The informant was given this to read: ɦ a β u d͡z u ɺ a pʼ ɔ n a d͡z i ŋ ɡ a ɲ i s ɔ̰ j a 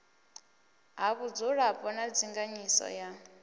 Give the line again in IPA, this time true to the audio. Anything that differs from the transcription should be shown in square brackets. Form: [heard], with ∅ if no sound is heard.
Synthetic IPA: ɦ a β u d͡z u ɺ a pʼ ɔ n a d͡z i ŋ ɡ a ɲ i s ɔ̰ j a